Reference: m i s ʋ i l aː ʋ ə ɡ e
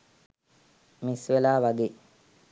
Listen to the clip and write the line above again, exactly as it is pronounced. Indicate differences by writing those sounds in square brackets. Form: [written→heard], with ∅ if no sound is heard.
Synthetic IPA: m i s ʋ [i→e] l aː ʋ [ə→a] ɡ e